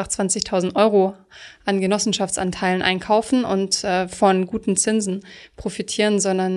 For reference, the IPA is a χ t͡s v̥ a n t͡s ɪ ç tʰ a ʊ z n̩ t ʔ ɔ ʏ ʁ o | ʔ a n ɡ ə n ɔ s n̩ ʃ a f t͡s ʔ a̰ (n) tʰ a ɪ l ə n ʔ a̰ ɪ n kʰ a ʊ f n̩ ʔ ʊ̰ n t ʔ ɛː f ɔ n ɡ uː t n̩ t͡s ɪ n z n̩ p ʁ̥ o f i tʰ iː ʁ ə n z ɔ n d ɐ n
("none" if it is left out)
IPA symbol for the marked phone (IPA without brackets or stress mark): n